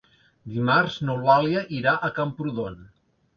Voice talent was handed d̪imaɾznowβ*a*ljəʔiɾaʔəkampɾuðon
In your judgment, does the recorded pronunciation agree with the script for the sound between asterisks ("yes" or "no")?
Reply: yes